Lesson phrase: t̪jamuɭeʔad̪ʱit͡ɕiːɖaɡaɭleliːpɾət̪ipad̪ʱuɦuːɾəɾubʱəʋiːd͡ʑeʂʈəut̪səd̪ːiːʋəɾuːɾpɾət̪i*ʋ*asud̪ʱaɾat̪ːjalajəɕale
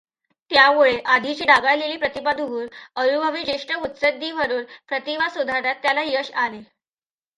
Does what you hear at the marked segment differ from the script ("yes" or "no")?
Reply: no